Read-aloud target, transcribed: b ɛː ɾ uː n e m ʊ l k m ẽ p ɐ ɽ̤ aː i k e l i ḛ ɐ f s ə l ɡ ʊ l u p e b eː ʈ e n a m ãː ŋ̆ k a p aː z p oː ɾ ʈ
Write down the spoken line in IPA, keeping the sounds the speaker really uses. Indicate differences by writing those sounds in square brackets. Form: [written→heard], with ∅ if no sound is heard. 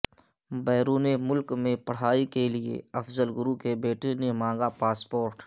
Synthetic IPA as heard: b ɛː ɾ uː n e m ʊ l k m ẽ p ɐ ɽ̤ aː i k e l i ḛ ɐ f [s→z] ə l ɡ ʊ [l→ɾ] u [p→k] e b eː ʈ e n [a→e] m ãː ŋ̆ [k→ɡ] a p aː [z→s] p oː ɾ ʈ